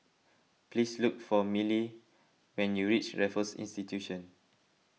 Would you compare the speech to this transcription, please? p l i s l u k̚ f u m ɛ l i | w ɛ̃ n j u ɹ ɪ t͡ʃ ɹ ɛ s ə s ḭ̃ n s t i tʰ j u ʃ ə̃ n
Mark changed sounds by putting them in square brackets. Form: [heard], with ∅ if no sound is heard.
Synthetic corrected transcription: p l i s l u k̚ f [ɔ] m [i] l i | w ɛ̃ n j u ɹ [i] t͡ʃ ɹ ɛ [f] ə s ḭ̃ n s t i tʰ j u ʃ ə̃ n